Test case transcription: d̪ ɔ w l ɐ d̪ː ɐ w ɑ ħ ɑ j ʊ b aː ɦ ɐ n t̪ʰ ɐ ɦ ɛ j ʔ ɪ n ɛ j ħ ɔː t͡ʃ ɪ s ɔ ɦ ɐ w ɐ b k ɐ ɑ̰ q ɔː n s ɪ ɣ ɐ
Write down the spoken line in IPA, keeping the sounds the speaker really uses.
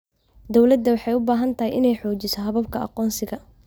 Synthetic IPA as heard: d̪ ɔ w l ɐ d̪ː ɐ w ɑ ħ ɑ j ʊ b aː ɦ ɐ n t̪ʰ ɐ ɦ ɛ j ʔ ɪ n ɛ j ħ ɔː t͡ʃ ɪ s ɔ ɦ ɐ β ɐ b kʰ ɐ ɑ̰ q ɔː n s ɪ ɣ ɐ